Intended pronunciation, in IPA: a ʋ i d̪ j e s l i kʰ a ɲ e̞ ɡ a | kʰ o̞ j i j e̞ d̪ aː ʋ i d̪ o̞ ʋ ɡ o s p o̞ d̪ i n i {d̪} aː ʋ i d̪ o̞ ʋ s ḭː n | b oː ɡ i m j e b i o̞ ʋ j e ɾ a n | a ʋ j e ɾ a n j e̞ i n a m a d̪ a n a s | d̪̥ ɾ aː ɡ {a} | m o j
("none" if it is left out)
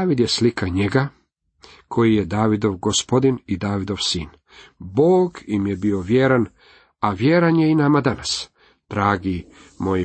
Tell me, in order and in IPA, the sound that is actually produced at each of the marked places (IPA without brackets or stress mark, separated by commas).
d̪, i